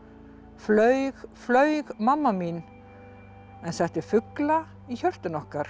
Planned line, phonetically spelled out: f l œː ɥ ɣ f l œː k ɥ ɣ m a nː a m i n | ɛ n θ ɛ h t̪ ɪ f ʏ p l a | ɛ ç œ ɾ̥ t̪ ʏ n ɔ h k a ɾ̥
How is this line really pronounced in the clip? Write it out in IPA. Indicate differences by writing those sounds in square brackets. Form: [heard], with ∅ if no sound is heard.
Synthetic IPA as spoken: f l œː ɥ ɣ f l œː [∅] ɥ ɣ m a [mː] a m i n | ɛ n θ ɛ h t̪ ɪ f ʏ [k] l a | [i] ç œ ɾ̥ t̪ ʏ n ɔ h k a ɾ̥